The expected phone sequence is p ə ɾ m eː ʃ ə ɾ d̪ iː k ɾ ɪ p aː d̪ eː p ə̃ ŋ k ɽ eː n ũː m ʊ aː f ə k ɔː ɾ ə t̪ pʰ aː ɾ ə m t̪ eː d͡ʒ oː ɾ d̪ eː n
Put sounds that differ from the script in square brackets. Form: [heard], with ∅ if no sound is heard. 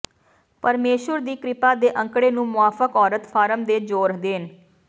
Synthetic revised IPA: p ə ɾ m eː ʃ ə ɾ d̪ iː k ɾ ɪ p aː d̪ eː [ʔ] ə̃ ŋ k ɽ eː n ũː m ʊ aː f ə k ɔː ɾ ə t̪ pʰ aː ɾ ə m [d̪] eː d͡ʒ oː ɾ d̪ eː n